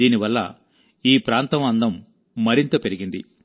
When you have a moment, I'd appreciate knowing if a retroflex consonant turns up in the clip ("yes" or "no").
no